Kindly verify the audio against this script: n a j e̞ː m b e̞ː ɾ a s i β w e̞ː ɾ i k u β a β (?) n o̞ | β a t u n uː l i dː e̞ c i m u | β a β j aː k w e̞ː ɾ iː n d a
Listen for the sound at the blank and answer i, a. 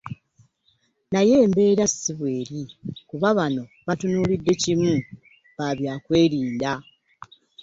a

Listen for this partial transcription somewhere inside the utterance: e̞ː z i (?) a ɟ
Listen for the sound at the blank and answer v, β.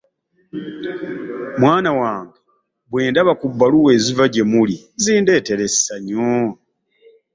v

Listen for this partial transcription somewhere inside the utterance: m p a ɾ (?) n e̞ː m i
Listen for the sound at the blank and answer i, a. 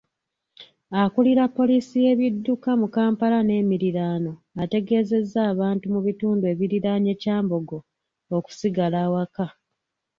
a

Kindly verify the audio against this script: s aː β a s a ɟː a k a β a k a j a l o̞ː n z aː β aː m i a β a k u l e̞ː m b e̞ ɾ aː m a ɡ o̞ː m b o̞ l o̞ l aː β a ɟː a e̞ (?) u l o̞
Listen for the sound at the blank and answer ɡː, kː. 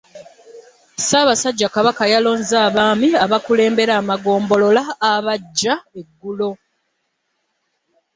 ɡː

